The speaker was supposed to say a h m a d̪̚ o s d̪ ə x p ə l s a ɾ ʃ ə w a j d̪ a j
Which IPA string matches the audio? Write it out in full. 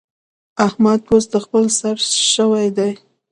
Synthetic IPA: a h m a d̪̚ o s d̪ ə x p ə l s a ɾ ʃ ə w a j d̪ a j